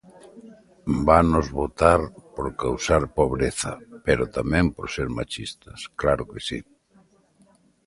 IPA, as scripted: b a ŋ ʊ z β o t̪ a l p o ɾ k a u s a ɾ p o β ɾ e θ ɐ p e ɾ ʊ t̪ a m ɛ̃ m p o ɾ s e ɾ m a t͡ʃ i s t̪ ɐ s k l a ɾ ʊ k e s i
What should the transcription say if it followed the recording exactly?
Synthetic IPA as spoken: b a n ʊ z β o t̪ a ɾ p o ɾ k a w s a ɾ p o β ɾ e θ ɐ p e ɾ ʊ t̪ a m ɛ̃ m p o ɾ s e ɾ m a t͡ʃ i s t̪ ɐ s k l a ɾ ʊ k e s i